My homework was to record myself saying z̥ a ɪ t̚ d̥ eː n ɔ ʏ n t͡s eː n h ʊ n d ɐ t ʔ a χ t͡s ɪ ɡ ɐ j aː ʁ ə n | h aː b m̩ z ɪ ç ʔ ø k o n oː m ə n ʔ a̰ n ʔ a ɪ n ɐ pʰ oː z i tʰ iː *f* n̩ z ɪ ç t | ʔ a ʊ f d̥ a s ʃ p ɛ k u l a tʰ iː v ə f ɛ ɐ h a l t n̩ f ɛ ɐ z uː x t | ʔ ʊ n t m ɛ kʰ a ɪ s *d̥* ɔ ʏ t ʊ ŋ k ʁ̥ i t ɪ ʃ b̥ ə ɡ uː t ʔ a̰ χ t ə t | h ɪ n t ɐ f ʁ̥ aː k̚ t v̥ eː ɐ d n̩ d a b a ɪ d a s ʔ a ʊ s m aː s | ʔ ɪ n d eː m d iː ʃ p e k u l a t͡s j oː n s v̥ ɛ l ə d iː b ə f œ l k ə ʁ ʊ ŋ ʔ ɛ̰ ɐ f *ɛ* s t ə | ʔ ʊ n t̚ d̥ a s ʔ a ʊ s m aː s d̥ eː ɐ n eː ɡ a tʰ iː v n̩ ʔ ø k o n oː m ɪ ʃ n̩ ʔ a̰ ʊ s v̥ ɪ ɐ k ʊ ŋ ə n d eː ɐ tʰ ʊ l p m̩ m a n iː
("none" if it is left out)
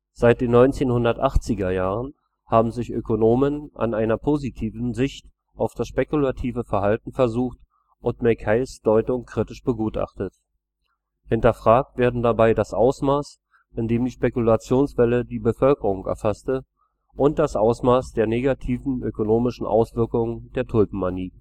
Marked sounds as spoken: v, d̥, a

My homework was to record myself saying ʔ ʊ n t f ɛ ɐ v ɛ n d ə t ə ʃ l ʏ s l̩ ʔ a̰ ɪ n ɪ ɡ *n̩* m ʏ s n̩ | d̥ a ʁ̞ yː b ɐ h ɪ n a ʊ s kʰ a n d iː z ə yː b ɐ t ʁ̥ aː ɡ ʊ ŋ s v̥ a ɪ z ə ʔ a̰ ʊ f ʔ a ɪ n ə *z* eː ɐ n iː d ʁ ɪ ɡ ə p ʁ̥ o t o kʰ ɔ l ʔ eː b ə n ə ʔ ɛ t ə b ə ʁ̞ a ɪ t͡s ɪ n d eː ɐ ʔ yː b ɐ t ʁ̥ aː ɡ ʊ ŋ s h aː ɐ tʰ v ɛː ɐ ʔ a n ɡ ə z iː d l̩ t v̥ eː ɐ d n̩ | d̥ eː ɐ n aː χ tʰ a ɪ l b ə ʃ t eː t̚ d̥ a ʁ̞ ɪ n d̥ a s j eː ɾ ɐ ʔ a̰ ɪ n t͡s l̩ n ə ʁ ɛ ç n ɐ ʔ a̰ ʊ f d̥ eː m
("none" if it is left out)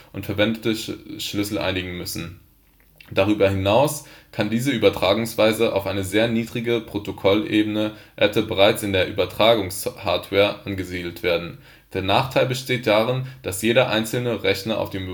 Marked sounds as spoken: ŋ̩, z

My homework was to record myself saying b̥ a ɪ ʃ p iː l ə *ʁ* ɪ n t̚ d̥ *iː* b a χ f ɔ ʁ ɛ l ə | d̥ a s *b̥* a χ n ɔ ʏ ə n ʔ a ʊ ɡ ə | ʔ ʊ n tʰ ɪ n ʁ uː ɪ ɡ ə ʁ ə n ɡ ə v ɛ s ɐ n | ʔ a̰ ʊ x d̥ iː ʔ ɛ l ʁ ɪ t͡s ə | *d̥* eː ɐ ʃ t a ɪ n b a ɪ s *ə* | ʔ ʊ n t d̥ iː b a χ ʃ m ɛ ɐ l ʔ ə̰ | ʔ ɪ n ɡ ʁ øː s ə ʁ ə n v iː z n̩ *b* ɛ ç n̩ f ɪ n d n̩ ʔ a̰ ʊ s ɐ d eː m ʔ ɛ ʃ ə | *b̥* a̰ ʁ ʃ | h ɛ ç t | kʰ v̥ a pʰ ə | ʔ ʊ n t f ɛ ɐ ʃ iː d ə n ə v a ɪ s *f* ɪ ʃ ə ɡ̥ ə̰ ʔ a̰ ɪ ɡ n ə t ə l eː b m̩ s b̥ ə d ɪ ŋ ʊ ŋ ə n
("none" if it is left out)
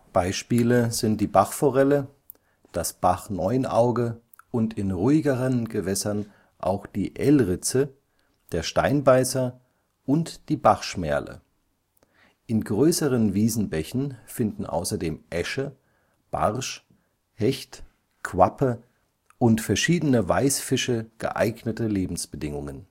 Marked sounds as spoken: z, iː, b̥, d̥, ɐ, b, b̥, f

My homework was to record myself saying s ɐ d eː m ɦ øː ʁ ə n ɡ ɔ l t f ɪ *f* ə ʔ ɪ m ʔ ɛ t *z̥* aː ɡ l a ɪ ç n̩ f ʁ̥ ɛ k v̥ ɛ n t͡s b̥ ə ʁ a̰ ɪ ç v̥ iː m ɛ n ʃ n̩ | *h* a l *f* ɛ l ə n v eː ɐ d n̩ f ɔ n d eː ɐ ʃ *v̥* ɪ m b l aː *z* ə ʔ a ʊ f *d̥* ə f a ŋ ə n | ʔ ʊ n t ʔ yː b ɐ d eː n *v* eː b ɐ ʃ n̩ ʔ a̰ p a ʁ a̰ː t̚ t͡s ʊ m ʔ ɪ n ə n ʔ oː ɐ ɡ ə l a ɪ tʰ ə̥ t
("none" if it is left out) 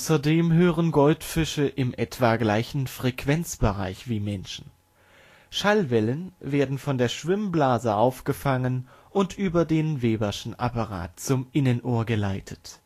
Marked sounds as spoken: ʃ, v̥, ʃ, v, v̥, z, ɡ̥, v

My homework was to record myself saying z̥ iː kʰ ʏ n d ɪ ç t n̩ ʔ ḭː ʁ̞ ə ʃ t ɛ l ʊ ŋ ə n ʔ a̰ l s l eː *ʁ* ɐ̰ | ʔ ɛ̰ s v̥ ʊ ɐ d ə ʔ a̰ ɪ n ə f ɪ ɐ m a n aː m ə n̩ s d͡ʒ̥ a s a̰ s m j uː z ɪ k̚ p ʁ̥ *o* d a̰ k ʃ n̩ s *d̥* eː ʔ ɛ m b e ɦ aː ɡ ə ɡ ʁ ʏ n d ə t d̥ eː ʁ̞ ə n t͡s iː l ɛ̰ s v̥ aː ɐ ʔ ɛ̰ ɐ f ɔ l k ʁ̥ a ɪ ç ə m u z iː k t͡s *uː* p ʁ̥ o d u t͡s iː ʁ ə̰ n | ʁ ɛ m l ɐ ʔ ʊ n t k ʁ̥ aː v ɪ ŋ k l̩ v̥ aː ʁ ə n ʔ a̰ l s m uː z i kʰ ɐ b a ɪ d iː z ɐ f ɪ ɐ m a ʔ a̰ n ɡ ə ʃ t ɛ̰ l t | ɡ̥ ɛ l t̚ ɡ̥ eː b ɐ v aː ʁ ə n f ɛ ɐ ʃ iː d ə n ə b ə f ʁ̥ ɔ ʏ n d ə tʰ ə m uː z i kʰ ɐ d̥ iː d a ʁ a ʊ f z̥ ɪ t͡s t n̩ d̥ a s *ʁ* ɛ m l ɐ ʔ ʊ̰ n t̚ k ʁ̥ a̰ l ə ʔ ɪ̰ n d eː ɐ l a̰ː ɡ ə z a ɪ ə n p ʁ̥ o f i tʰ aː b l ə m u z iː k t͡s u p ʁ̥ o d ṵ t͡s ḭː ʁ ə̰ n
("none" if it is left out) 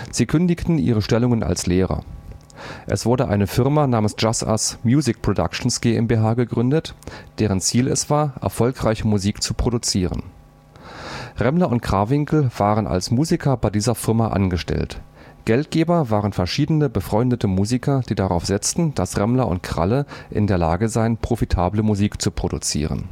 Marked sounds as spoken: ʁ, o, ɡ̥, u, ʁ

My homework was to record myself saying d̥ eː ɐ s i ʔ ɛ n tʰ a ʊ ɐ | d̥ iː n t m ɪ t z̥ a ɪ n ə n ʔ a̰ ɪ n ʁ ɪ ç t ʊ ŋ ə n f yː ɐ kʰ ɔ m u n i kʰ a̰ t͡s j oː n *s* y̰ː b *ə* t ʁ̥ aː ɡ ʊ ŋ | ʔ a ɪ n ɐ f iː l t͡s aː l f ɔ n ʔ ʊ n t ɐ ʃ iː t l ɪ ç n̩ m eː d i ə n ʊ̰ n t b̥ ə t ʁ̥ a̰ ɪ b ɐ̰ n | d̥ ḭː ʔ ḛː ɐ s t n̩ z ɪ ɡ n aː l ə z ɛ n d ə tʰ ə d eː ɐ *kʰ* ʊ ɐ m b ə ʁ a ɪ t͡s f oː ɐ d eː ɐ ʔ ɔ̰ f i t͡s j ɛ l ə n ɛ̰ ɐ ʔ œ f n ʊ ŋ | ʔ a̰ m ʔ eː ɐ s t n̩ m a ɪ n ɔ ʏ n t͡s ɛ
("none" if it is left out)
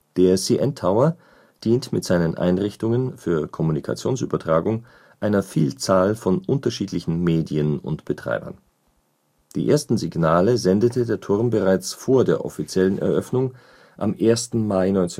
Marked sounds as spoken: s, ɐ, tʰ

